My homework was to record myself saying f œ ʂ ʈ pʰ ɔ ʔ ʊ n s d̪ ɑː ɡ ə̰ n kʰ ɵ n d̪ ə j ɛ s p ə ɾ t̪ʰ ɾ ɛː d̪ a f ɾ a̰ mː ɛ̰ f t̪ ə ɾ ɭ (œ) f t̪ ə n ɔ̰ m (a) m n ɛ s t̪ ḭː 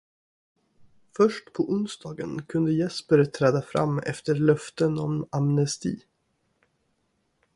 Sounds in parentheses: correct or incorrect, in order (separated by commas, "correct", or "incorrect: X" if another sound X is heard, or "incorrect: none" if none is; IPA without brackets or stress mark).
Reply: correct, correct